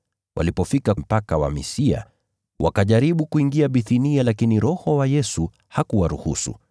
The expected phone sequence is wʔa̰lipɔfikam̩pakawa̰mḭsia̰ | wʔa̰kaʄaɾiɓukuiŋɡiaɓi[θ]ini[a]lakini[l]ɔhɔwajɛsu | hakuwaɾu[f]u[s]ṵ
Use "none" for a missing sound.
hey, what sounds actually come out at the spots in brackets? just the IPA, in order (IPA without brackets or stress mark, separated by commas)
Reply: θ, a, ɾ, h, s